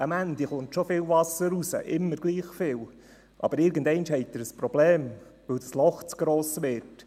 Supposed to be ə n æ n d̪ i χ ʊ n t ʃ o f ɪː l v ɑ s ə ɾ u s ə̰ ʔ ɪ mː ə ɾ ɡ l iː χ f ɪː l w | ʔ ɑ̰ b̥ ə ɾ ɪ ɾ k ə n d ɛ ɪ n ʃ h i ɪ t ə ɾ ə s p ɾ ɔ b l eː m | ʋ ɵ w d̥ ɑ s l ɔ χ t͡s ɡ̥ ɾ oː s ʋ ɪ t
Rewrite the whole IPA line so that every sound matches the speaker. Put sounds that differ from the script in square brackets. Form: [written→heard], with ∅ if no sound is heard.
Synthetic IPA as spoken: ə [n→m] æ n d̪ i χ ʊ n t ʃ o f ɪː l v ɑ s ə ɾ u s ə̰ ʔ ɪ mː ə ɾ ɡ l iː χ f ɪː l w | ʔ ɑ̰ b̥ ə ɾ ɪ ɾ [k→ɡ] ə n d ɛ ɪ n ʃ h [i→ɛ] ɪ t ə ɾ ə s p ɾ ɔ b l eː m | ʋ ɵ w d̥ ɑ s l ɔ χ t͡s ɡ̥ ɾ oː s ʋ ɪ t